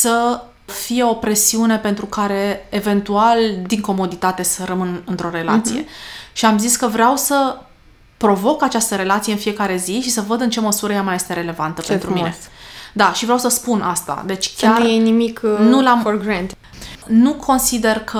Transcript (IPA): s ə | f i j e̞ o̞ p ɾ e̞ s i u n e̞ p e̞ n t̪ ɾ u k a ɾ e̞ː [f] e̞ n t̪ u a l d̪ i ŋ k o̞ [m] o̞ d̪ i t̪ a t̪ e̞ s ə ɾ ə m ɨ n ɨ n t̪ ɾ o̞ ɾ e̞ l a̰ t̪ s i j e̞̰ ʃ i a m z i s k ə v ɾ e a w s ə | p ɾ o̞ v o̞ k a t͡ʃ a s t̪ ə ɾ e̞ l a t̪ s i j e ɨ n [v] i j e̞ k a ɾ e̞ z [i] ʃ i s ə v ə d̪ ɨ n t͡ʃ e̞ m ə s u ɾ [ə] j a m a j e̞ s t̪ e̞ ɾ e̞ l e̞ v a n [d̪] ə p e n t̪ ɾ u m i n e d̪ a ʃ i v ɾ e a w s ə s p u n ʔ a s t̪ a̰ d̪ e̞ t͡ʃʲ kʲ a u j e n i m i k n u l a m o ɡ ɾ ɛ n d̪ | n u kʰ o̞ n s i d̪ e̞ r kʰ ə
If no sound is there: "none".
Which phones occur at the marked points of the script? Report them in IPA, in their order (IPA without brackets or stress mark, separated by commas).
v, m, f, i, ə, t̪